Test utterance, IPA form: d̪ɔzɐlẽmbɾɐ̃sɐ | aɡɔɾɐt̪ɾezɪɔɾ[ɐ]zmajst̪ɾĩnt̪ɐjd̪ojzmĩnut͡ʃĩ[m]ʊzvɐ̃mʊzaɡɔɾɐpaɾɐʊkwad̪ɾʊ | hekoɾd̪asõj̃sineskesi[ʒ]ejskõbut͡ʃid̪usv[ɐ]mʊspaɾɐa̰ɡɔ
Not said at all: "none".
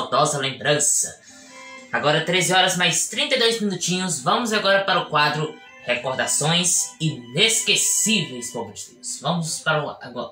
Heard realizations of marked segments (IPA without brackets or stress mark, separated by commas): ɐ, ɲ, v, ɐ̃